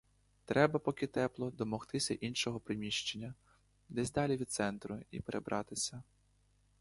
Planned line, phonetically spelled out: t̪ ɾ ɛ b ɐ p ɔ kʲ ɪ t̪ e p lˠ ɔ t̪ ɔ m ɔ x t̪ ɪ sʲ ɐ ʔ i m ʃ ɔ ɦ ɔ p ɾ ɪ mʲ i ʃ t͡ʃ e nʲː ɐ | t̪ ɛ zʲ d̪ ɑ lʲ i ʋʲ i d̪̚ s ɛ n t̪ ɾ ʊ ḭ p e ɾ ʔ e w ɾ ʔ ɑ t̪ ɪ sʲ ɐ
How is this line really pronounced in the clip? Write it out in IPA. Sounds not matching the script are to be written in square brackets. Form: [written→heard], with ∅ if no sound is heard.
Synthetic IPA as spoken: t̪ ɾ ɛ b ɐ p ɔ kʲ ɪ t̪ [e→ɛ] p lˠ ɔ [t̪→d̪] ɔ m ɔ x t̪ ɪ sʲ ɐ ʔ i [m→n] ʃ ɔ ɦ ɔ p ɾ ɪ mʲ i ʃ t͡ʃ e nʲː ɐ | [t̪→d̪] ɛ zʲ d̪ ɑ lʲ i ʋʲ i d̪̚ s ɛ n t̪ ɾ ʊ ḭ p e ɾ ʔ e [w→b] ɾ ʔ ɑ t̪ ɪ sʲ ɐ